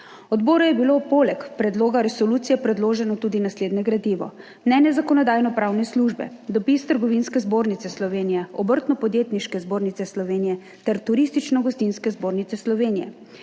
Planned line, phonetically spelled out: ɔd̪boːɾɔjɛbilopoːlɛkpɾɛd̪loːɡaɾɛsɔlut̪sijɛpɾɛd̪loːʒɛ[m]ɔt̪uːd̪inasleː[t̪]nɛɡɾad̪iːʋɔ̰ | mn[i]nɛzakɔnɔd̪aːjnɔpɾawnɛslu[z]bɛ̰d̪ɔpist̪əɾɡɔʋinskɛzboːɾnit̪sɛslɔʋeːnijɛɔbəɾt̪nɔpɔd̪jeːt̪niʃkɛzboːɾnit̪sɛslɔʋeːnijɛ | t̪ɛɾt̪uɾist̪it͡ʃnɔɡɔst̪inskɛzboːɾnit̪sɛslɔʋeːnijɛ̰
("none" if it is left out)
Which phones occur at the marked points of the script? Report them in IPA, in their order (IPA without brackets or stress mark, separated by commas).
n, d̪, ɛ, ʒ